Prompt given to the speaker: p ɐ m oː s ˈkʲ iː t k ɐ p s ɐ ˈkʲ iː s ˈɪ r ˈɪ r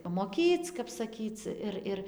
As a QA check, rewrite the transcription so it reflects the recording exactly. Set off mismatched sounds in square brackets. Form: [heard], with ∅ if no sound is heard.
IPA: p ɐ m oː [∅] ˈkʲ iː [t͡s] k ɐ p s ɐ ˈkʲ iː [t͡s] ˈɪ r ˈɪ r